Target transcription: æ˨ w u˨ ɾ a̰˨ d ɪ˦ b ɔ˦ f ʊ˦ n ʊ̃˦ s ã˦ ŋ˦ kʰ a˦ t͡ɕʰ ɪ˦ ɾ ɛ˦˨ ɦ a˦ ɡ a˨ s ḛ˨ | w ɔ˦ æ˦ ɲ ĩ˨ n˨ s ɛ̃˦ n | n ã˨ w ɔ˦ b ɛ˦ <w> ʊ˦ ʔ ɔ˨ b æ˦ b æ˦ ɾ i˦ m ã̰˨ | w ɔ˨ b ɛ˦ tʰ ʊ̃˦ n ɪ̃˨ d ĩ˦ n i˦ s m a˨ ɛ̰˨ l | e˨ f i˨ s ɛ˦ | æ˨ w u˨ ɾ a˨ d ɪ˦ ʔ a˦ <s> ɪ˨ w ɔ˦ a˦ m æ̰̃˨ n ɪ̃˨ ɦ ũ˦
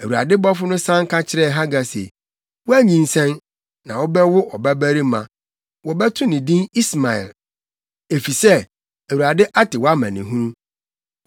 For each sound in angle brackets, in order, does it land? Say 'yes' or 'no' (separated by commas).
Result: yes, no